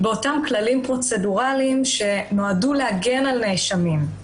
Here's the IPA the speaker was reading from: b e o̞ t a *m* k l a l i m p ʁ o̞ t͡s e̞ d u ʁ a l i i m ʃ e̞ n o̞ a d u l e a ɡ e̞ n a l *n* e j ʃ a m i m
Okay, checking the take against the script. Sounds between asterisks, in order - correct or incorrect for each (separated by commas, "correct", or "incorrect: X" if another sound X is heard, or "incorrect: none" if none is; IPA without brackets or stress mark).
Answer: correct, correct